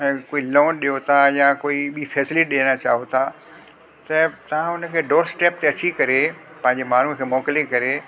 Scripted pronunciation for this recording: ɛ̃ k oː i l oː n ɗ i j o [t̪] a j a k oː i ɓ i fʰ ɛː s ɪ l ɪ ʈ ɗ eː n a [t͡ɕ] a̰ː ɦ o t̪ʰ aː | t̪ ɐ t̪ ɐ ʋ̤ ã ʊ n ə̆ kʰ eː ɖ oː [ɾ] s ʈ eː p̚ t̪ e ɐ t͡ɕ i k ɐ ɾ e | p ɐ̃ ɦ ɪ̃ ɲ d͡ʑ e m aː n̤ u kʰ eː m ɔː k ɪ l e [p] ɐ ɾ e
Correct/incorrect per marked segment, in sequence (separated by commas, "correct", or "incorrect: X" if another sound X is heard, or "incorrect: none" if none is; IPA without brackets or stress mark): incorrect: t̪ʰ, correct, correct, incorrect: k